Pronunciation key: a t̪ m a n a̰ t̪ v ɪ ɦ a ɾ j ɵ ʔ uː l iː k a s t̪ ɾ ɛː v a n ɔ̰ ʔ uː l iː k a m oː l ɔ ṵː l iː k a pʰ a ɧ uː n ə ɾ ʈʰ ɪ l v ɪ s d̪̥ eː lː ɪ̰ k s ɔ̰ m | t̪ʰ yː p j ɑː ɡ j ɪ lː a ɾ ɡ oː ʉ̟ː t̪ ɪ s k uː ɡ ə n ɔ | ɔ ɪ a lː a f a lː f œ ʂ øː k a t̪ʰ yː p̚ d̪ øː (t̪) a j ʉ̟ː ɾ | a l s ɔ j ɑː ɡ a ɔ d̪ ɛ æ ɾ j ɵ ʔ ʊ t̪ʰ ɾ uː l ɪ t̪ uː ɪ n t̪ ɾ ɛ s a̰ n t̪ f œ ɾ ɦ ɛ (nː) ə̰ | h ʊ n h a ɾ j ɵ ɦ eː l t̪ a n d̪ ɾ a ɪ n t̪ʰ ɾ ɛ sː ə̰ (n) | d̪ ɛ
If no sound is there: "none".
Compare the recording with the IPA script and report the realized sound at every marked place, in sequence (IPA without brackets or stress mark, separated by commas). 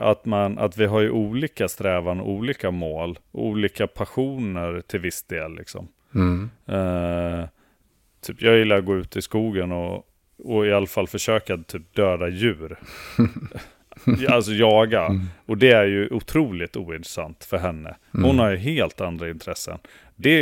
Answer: d̪, nː, n